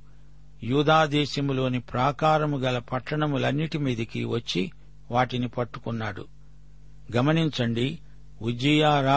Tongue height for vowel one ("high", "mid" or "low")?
high